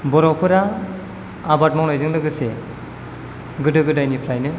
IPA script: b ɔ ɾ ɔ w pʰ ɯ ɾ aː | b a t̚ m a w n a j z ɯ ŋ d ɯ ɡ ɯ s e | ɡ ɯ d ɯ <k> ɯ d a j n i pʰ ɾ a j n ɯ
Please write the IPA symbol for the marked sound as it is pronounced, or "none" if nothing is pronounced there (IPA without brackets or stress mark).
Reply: ɡ